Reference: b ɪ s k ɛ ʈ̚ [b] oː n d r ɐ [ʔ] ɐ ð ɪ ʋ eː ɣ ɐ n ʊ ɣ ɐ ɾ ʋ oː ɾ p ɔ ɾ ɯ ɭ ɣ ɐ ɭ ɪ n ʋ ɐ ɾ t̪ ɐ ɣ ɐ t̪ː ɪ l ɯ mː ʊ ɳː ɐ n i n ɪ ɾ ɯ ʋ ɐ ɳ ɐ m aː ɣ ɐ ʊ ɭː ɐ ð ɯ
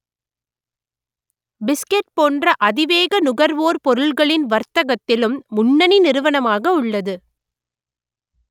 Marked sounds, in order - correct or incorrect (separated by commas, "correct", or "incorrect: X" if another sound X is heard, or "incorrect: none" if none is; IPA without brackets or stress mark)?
incorrect: p, correct